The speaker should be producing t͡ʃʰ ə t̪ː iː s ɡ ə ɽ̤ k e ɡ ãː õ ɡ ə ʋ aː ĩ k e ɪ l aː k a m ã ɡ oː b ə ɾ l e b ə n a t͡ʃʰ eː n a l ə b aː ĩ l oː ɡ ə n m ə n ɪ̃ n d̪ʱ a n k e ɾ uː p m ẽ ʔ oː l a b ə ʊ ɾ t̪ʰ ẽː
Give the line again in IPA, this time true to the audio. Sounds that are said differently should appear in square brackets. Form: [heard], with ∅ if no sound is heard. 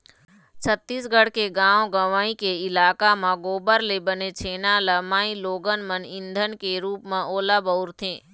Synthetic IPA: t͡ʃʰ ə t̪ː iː s ɡ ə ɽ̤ k e ɡ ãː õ ɡ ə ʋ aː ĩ k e ɪ l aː k a m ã ɡ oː b ə ɾ l e b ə n [e] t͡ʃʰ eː n a l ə [m] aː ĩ l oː ɡ ə n m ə n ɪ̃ n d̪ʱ [ə] n k e ɾ uː p m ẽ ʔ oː l a b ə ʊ ɾ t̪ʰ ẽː